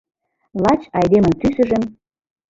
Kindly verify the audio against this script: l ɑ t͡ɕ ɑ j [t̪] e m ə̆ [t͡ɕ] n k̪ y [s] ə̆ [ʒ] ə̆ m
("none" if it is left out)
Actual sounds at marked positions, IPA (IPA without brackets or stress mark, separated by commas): d̪, none, s, ʒ